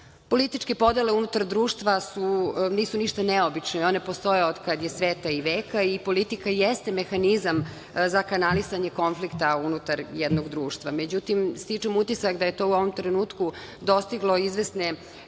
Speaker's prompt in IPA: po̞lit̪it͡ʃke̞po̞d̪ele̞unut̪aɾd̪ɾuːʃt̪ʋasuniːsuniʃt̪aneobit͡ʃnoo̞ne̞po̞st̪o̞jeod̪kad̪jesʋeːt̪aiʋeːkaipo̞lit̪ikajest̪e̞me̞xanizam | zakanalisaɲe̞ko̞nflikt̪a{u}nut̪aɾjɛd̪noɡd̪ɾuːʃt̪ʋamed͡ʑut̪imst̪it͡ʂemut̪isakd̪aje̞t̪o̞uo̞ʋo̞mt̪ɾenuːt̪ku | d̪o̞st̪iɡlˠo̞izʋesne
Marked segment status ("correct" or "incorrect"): correct